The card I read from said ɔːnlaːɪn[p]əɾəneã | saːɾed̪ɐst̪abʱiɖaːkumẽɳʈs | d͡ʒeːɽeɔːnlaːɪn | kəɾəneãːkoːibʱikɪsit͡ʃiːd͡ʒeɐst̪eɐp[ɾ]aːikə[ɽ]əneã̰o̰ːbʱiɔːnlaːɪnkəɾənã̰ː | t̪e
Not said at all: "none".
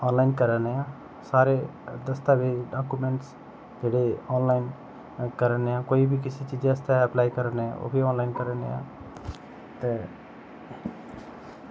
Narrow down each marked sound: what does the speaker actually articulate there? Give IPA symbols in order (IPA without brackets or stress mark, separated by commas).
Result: k, l, ɾ